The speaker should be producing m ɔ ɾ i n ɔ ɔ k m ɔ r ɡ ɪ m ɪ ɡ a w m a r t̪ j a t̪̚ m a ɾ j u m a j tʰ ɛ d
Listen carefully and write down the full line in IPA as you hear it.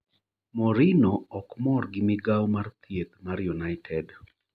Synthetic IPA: m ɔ ɾ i n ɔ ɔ k m ɔ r ɡ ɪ m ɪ ɡ a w m a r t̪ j e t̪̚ m a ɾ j u n a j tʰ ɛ d